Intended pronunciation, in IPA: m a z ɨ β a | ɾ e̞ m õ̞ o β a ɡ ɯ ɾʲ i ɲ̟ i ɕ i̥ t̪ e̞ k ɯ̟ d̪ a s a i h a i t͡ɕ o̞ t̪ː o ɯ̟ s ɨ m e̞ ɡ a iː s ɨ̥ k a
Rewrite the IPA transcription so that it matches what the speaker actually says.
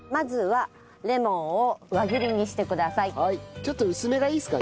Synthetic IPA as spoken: m a z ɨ β a | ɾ e̞ m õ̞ o β a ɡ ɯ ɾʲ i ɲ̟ i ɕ i̥ t̪ e̞ k ɯ̟ d̪ a s a i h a i t͡ɕ o̞ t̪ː o ɯ̟ s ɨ m e̞ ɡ a iː s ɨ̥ k a